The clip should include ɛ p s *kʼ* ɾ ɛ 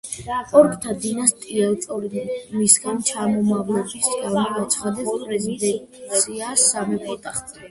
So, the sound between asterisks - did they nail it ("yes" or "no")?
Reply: no